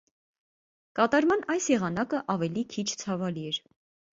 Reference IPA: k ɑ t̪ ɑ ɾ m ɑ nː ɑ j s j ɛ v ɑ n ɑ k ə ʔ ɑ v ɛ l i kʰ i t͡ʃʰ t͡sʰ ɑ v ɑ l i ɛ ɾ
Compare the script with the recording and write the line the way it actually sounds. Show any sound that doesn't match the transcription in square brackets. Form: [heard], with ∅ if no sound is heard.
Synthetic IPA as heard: k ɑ t̪ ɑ ɾ m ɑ [n] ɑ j s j ɛ [ʁ] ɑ n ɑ k ə ʔ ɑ v ɛ l i kʰ i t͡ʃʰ t͡sʰ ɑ v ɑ l i ɛ ɾ